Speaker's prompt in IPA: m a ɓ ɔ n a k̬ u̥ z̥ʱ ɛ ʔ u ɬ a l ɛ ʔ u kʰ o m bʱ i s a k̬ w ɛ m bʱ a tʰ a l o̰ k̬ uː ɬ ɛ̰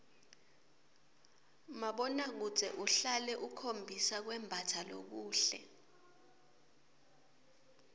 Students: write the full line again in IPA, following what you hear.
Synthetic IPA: m a ɓ ɔ n a k̬ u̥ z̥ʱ ɛ ʔ u ɬ a l ɛ ʔ u kʰ o m bʱ i s a k̬ w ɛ m bʱ a tʰ a l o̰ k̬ uː ɬ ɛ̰